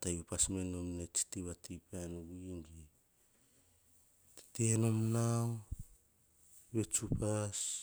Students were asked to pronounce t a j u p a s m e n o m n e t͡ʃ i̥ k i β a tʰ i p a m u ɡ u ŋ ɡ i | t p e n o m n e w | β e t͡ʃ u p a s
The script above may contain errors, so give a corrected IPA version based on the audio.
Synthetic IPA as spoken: t a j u p a s m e n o m n e t͡ʃ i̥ t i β a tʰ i p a n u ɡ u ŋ ɡ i | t t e n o m n a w | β e t͡ʃ u p a s